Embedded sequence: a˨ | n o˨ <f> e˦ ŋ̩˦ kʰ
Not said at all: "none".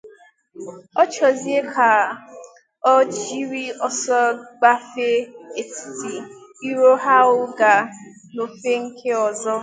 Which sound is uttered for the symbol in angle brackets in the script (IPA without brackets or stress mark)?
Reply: f